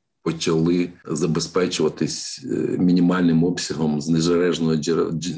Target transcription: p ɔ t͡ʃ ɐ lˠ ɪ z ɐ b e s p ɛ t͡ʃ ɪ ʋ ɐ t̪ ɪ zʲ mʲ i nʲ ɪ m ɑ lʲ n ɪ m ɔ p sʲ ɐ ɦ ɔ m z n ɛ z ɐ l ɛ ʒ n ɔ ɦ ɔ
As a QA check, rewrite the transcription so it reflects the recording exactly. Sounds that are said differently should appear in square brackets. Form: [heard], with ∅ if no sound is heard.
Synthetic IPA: p ɔ t͡ʃ ɐ lˠ ɪ z ɐ b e s p ɛ t͡ʃ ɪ ʋ ɐ t̪ ɪ [sʲ] mʲ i nʲ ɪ m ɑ lʲ n ɪ m ɔ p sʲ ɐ ɦ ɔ m z n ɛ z ɐ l ɛ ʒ n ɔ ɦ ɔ